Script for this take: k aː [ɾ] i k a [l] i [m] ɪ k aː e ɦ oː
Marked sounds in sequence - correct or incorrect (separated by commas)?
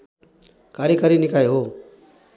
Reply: correct, incorrect, incorrect